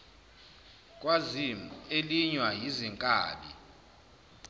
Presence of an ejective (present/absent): present